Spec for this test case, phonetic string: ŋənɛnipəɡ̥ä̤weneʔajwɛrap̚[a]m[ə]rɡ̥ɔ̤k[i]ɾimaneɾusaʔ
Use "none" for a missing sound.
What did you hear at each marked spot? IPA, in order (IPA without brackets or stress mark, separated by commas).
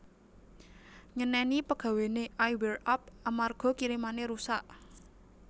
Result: a, a, i